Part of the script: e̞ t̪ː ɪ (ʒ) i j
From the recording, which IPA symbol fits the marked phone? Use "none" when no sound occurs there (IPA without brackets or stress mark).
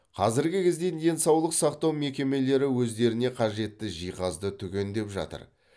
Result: ʒ